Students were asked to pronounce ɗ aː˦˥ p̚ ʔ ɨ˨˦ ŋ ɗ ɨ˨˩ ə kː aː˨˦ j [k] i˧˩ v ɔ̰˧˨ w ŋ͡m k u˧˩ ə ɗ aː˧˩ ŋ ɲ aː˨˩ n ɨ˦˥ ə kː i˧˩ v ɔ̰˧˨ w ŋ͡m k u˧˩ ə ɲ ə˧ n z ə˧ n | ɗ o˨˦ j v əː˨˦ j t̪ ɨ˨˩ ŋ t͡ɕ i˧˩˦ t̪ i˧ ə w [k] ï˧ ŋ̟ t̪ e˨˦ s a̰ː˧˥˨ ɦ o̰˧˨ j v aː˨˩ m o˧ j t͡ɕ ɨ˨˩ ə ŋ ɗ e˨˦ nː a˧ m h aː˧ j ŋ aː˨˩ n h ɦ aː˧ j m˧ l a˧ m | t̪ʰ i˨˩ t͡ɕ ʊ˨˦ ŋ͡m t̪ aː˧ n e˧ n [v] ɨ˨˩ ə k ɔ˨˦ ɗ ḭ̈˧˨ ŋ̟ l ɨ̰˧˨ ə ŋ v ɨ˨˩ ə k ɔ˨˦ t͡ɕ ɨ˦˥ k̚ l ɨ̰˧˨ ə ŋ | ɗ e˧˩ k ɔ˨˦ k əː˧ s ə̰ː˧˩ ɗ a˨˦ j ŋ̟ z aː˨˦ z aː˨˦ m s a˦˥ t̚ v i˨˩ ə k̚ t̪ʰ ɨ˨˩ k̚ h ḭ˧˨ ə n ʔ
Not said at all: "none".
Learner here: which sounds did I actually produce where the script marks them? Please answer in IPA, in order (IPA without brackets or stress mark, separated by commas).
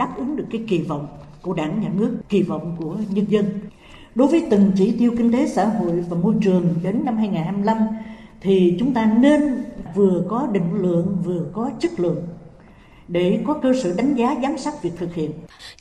k, k, v